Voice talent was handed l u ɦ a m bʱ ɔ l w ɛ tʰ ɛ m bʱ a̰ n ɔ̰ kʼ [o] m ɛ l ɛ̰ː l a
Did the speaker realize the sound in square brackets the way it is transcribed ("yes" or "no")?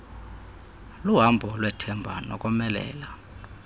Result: no